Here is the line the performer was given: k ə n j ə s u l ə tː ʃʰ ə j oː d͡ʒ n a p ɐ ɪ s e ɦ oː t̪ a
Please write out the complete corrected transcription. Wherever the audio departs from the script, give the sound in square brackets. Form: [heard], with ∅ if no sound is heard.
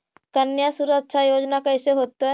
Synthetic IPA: k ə n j [a] s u [ɾ] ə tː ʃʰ [a] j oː d͡ʒ n a [k] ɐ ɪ s e ɦ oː t̪ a